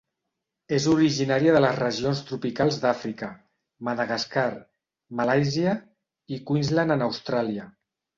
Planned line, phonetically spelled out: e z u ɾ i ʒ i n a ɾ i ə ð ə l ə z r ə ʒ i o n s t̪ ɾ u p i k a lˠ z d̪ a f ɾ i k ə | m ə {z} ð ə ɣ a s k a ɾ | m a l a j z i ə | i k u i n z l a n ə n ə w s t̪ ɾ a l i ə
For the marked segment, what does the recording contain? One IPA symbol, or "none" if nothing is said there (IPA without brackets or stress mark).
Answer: none